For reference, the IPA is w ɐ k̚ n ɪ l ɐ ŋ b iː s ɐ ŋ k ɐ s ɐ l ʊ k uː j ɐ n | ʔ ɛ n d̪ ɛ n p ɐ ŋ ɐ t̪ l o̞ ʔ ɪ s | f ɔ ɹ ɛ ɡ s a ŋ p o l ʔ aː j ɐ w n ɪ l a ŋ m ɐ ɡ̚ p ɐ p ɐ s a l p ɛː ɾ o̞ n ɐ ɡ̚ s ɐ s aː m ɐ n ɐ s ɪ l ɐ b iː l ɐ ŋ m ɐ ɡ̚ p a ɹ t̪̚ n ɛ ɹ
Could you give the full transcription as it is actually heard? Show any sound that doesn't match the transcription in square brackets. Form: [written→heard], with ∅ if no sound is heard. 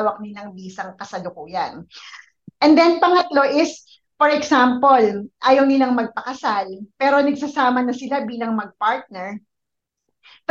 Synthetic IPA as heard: w ɐ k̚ n ɪ l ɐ ŋ b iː s ɐ ŋ k ɐ s ɐ l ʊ k uː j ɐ n | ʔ ɛ n d̪ ɛ n p ɐ ŋ ɐ t̪ l o̞ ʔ ɪ s | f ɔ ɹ ɛ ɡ s a [ŋ→m] p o l ʔ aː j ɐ w n ɪ l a ŋ m ɐ ɡ̚ p ɐ [p→k] ɐ s a l p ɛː ɾ o̞ n ɐ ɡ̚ s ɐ s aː m ɐ n ɐ s ɪ l [ɐ→a] b iː l ɐ ŋ m ɐ ɡ̚ p a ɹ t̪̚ n ɛ ɹ